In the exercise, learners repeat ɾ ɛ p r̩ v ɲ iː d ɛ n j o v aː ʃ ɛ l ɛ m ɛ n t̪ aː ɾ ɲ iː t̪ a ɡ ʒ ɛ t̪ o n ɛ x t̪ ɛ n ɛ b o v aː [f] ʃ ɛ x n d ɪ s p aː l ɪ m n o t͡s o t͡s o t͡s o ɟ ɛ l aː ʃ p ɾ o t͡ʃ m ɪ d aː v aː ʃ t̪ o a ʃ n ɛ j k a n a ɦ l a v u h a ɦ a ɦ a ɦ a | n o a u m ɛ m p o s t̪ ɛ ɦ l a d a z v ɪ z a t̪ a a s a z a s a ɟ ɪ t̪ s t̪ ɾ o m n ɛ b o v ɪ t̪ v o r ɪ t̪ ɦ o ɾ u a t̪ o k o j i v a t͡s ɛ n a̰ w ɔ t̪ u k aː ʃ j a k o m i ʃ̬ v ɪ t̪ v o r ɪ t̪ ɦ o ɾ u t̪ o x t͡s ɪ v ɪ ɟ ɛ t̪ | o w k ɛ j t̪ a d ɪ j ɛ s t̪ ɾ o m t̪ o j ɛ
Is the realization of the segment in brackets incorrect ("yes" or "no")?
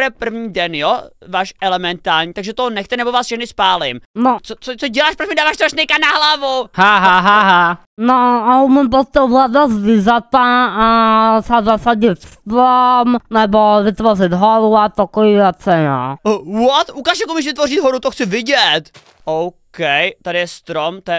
yes